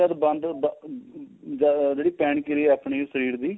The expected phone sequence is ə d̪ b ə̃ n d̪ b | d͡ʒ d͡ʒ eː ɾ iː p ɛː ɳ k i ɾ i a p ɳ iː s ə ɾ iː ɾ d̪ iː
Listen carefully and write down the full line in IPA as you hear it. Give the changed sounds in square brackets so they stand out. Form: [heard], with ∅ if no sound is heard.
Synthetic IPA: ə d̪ b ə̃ n d̪ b | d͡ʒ d͡ʒ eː [ɽ] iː p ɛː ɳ k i ɾ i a p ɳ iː s ə ɾ iː ɾ d̪ iː